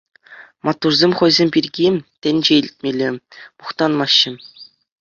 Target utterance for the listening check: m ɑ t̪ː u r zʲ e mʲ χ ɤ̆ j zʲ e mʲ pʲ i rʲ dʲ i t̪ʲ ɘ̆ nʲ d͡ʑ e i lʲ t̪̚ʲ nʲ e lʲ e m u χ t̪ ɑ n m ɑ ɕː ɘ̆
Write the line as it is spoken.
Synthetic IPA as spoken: m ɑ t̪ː u r zʲ e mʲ χ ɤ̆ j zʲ e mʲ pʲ i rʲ ɡʲ i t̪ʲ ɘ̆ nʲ d͡ʑ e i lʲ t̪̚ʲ mʲ e lʲ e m u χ t̪ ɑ n m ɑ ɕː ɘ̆